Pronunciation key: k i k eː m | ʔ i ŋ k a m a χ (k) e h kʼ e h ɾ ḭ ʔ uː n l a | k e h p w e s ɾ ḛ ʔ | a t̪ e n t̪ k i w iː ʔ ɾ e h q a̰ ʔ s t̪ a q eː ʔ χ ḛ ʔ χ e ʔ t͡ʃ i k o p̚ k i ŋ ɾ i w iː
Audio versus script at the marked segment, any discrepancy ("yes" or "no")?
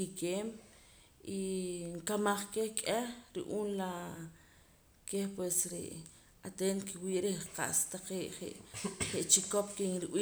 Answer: no